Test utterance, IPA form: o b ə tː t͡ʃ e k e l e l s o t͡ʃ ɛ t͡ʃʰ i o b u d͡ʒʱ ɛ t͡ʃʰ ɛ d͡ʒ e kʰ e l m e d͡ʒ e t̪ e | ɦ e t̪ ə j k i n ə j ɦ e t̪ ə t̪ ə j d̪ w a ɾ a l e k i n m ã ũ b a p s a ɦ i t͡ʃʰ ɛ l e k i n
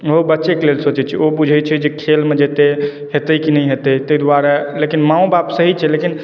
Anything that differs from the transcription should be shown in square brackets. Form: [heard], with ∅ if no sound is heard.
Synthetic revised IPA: o b ə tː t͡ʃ e k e l e l s o t͡ʃ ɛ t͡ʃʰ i o b u d͡ʒʱ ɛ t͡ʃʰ ɛ d͡ʒ e kʰ e l m e d͡ʒ e t̪ e | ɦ e t̪ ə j k i n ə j ɦ e t̪ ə t̪ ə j d̪ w a ɾ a l e k i n m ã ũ b a p s [ə] ɦ i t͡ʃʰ ɛ l e k i n

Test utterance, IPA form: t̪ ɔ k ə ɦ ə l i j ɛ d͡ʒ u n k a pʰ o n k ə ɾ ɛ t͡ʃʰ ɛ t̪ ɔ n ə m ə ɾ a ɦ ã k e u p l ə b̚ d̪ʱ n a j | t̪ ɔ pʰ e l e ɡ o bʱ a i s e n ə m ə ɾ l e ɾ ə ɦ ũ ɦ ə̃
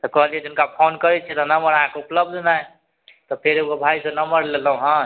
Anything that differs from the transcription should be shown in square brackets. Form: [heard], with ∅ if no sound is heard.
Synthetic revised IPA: t̪ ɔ k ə ɦ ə l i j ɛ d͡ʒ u n k a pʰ o n k ə ɾ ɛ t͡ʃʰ ɛ t̪ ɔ n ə m ə ɾ a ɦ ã k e u p l ə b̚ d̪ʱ n a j | t̪ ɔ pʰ e [ɾ] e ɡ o bʱ a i s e n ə m ə ɾ l e [l] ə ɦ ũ ɦ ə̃

